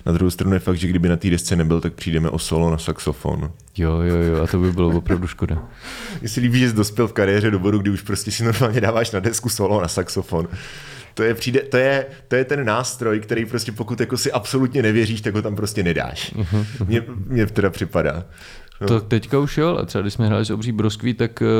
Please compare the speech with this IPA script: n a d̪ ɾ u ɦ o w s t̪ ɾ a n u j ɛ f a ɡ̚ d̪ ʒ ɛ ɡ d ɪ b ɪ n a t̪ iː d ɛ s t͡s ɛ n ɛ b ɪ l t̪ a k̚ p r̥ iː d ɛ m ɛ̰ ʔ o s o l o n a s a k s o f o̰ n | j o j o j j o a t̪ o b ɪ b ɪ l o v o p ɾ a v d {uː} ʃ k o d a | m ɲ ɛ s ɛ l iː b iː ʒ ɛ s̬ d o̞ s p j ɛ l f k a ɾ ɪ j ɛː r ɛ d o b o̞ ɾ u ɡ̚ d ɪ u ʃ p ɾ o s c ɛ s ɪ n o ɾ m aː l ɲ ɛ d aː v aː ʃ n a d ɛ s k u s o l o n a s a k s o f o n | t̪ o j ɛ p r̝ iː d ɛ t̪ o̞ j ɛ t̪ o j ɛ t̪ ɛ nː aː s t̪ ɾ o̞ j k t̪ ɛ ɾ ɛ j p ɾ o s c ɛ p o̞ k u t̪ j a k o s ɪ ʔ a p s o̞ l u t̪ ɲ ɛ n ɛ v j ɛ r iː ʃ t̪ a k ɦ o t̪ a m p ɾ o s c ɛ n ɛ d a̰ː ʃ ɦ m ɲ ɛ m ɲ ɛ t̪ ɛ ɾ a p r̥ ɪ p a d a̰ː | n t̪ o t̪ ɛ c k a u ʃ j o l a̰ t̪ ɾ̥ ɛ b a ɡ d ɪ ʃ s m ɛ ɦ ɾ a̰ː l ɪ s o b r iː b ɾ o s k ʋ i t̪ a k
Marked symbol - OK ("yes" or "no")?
no